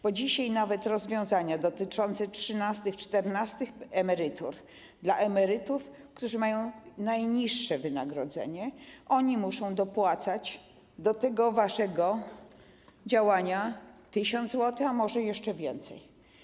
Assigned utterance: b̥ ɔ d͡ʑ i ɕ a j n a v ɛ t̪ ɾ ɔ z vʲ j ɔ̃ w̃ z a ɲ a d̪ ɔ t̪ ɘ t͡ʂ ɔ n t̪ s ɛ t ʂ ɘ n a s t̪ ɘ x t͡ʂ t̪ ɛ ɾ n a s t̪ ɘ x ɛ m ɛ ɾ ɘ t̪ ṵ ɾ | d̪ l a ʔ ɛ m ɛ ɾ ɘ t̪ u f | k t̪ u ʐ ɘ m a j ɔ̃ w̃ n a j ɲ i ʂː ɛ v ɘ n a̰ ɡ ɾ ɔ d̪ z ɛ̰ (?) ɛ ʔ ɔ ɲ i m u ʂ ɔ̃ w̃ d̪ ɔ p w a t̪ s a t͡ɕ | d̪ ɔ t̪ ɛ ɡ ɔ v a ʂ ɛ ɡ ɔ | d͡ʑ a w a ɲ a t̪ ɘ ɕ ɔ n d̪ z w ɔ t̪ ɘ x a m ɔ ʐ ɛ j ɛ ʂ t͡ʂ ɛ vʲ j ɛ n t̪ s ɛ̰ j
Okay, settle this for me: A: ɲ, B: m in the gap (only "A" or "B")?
A